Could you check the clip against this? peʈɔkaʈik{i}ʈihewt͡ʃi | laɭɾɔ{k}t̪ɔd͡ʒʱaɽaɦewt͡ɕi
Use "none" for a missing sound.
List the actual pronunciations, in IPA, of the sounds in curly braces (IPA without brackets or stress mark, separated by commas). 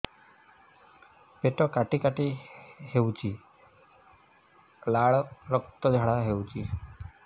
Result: a, k